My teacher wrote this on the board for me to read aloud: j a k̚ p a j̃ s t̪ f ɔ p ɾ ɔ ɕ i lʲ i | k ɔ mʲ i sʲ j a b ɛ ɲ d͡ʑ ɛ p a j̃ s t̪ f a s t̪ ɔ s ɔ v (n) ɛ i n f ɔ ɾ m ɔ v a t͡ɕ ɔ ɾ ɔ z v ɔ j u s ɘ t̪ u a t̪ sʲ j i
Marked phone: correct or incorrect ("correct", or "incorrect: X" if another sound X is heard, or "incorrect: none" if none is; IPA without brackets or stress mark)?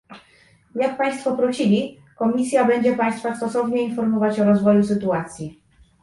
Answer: incorrect: ɲ